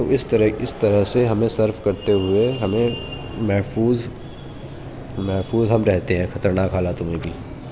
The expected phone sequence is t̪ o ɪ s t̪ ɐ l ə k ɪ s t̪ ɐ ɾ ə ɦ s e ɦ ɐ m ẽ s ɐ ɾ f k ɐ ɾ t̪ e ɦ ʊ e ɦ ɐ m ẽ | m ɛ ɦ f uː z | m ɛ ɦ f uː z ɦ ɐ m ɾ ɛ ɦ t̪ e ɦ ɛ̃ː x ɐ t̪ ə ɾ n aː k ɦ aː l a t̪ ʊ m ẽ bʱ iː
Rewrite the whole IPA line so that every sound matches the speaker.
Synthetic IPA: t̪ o ɪ s t̪ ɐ ɾ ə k ɪ s t̪ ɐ ɾ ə ɦ s e ɦ ɐ m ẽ s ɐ ɾ f k ɐ ɾ t̪ e ɦ ʊ e ɦ ɐ m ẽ | m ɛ ɦ f uː z | m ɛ ɦ f uː z ɦ ɐ m ɾ ɛ ɦ t̪ e ɦ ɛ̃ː x ɐ t̪ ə ɾ n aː k ɦ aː l a t̪ ʊ m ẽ bʱ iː